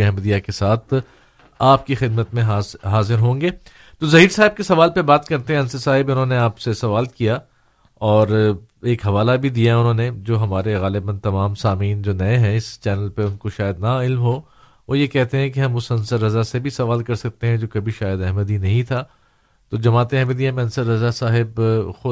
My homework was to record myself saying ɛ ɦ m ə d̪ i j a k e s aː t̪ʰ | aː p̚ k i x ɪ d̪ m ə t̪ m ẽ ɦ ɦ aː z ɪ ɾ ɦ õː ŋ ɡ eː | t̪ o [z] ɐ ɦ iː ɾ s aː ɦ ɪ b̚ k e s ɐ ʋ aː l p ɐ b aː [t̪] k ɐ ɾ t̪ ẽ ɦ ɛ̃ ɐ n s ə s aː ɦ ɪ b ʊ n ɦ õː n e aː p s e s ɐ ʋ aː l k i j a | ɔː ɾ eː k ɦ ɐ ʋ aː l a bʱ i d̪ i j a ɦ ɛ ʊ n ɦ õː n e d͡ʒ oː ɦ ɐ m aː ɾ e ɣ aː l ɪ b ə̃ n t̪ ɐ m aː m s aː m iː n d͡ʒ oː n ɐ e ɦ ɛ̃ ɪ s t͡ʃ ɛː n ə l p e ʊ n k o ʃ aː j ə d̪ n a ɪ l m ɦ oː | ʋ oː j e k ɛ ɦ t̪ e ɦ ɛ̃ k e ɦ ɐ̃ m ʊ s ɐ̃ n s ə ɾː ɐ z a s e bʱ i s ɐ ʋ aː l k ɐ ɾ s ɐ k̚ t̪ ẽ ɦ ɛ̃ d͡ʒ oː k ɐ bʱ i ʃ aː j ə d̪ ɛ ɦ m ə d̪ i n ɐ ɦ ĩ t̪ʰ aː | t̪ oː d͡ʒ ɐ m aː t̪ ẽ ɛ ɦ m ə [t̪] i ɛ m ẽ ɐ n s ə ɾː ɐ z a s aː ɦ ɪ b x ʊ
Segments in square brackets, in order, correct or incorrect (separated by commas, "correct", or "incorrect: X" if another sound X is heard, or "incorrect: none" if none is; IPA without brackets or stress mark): correct, correct, incorrect: d̪